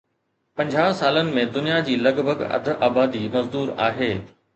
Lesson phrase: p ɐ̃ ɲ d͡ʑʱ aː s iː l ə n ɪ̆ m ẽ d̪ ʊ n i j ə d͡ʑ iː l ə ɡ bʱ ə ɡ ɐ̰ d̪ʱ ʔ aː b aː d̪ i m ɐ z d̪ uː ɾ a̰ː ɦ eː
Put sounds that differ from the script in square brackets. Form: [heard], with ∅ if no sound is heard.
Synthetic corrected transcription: p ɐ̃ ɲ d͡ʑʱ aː s [aː] l ə n ɪ̆ m ẽ d̪ ʊ n i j [a] d͡ʑ iː l [ɐ] ɡ bʱ ə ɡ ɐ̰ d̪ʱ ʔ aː b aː d̪ i m ɐ z d̪ uː ɾ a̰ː ɦ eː